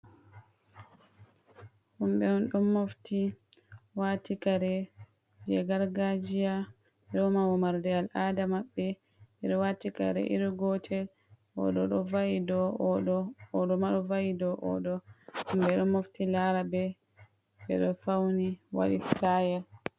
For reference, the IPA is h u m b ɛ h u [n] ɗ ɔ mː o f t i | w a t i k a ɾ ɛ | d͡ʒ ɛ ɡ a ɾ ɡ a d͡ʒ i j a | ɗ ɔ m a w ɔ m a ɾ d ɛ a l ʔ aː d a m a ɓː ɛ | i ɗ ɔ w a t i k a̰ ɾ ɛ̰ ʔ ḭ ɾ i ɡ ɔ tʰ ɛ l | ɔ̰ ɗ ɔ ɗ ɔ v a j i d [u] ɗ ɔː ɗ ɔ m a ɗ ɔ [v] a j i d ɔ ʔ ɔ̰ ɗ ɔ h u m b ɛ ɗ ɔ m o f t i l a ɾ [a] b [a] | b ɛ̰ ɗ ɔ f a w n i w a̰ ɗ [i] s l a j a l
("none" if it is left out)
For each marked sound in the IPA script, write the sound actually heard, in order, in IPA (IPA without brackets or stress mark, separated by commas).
n, ɔ, v, a, ɛ, i